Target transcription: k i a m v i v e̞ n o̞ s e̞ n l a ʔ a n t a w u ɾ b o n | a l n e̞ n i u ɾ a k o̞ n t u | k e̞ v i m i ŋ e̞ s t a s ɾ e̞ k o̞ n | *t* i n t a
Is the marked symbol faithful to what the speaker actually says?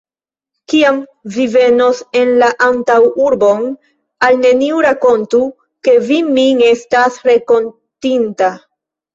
yes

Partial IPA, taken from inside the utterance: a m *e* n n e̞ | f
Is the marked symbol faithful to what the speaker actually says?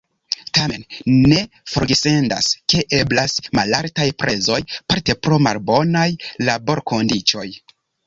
yes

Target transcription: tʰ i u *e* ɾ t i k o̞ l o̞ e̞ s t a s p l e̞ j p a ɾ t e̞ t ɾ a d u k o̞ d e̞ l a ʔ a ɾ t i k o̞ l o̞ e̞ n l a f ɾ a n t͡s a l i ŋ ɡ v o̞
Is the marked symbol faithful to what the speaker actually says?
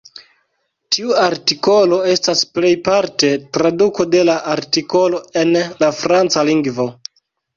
no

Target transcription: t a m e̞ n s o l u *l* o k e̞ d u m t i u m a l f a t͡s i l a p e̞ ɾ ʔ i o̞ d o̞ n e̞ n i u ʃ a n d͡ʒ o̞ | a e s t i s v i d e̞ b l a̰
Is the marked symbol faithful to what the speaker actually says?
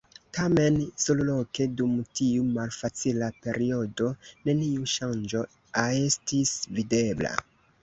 yes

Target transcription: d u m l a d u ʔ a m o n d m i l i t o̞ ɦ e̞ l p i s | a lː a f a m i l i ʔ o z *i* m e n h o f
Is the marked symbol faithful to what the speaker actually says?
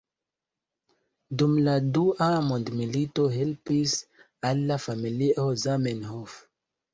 no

